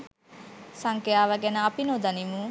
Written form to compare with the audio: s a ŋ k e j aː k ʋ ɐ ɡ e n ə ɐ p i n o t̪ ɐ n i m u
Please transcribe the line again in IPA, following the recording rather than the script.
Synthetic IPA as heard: s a ŋ k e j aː ʋ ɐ ɡ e n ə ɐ p i n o d̪ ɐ n i m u